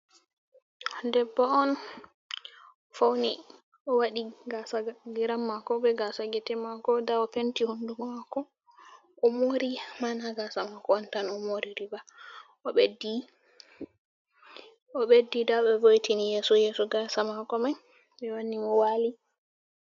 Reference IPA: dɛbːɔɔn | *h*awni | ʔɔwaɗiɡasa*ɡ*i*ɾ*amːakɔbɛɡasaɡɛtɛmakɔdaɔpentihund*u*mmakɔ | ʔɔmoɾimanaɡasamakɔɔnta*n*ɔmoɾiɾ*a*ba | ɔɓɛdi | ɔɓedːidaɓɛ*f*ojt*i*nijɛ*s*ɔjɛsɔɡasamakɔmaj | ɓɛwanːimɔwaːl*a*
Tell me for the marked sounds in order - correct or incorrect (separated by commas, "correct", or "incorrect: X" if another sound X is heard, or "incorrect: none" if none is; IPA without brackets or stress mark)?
incorrect: f, correct, correct, correct, correct, incorrect: i, incorrect: v, correct, correct, incorrect: i